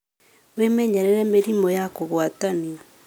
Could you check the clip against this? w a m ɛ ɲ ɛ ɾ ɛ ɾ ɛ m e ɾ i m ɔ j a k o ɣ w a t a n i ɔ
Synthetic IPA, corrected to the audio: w e m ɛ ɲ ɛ ɾ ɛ ɾ ɛ m e ɾ i m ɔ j a k o ɣ w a t a n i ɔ